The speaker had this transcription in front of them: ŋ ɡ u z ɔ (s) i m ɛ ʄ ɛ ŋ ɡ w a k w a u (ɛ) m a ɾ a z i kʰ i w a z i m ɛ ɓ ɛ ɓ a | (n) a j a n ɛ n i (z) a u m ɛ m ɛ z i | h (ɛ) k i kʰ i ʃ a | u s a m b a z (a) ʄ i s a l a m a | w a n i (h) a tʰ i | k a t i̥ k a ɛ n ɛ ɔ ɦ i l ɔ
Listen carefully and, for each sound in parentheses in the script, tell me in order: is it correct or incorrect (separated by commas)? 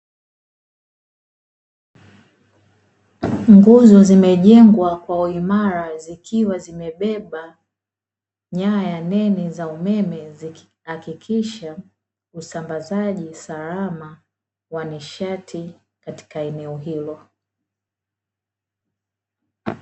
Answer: incorrect, incorrect, incorrect, correct, incorrect, correct, incorrect